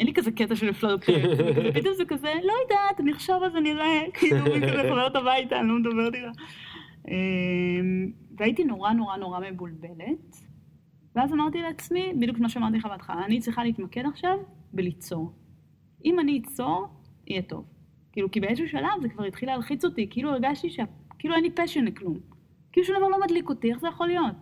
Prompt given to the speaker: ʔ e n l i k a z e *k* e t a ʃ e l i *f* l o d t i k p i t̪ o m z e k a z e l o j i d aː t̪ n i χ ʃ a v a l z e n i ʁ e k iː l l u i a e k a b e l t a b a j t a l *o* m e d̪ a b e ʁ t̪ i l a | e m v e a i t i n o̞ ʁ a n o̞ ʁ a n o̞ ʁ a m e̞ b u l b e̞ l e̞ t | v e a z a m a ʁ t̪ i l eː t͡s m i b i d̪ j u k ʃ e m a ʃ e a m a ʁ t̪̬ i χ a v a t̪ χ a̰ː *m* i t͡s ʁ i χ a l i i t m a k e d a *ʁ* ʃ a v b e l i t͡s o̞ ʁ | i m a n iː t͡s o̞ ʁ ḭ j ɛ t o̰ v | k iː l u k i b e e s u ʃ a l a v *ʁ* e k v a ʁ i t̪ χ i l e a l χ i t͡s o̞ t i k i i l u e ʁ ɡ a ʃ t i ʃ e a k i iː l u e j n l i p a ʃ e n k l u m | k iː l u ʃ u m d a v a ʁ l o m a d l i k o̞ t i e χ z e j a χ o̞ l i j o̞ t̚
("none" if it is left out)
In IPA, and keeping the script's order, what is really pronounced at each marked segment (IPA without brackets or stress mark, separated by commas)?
k, f, o, n, χ, z